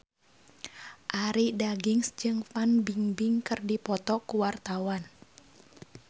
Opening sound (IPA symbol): ʔ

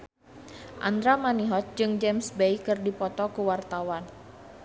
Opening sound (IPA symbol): ʔ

